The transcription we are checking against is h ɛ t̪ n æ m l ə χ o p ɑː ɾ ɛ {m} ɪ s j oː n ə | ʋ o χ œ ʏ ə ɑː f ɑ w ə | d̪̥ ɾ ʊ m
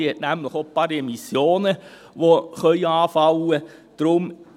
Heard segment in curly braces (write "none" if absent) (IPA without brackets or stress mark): m